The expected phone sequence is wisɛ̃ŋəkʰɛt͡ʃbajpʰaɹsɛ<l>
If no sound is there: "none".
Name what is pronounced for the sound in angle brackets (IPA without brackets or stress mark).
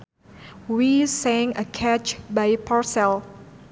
l